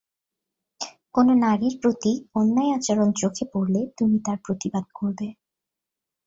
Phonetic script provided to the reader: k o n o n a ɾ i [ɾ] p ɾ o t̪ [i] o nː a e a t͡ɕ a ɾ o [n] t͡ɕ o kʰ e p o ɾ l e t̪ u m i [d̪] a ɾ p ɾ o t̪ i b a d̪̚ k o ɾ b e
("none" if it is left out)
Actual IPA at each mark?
ɾ, i, n, t̪

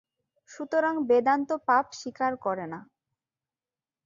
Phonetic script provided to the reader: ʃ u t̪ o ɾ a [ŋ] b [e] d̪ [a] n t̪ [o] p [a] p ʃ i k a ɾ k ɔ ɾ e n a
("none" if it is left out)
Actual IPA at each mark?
ŋ, e, a, o, a

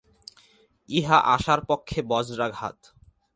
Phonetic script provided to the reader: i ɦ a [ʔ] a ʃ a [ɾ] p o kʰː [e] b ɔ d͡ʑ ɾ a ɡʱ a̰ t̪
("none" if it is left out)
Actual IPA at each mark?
ʔ, ɾ, e

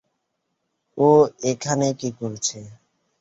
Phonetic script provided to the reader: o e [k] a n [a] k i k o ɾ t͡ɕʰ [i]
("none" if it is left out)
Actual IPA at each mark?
kʰ, e, e

